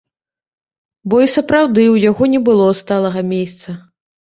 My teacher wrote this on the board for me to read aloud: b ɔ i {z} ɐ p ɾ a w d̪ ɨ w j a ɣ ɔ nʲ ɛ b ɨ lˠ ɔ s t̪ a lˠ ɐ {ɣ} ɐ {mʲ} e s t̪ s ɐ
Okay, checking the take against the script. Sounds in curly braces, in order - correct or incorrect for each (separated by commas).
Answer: incorrect, correct, correct